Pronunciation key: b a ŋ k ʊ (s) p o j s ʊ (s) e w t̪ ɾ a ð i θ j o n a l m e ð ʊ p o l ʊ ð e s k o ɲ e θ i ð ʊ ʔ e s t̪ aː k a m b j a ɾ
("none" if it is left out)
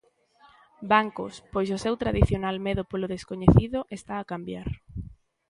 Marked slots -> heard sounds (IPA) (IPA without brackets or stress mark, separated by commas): s, s